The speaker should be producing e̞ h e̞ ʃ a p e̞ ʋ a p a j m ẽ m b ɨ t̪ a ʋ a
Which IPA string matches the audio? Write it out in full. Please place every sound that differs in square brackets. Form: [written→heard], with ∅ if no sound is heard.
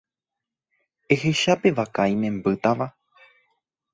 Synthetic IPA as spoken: e̞ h e̞ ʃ a p e̞ ʋ a [p→k] a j m ẽ m b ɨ t̪ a ʋ a